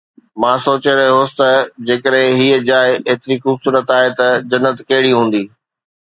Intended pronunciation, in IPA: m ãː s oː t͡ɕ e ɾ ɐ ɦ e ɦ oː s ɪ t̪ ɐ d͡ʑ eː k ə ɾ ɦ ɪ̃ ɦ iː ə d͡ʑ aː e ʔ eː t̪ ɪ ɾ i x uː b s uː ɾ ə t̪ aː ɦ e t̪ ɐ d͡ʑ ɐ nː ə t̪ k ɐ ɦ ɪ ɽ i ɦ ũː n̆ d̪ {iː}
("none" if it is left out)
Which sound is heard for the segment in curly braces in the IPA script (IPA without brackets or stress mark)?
iː